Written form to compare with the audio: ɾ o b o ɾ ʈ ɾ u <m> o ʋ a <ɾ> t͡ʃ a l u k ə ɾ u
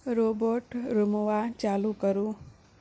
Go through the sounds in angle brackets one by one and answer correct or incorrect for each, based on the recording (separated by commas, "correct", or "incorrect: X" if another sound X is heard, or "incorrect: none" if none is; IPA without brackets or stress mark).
correct, incorrect: none